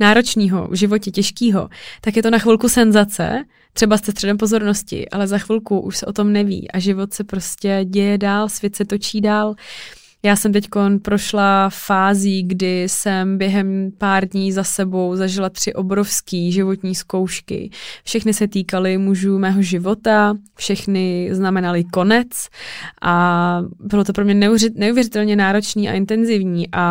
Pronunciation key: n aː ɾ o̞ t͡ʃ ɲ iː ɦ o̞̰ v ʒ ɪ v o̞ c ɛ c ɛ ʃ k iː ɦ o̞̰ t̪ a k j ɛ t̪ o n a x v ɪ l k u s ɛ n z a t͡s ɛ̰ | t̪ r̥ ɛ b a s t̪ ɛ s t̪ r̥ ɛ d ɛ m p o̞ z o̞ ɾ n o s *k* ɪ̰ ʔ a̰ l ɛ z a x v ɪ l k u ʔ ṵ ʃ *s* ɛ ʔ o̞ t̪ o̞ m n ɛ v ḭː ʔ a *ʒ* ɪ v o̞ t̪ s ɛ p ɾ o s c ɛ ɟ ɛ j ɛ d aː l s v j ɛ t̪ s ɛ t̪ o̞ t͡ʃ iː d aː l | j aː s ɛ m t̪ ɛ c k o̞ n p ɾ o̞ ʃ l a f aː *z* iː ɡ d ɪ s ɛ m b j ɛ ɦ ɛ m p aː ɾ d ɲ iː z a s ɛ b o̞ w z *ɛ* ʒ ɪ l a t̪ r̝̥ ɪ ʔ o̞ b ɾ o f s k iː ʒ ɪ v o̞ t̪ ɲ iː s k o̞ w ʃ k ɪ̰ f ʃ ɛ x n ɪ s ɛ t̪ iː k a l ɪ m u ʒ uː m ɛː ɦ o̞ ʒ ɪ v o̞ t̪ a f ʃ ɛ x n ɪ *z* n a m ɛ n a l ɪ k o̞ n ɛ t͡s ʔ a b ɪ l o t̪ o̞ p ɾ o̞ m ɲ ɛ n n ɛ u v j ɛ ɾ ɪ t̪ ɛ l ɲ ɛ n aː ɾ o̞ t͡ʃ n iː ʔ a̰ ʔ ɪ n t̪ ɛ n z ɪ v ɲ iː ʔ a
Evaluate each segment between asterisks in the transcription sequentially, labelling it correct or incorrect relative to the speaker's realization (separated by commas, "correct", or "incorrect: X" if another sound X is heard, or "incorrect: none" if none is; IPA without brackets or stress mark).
incorrect: c, correct, correct, correct, incorrect: a, correct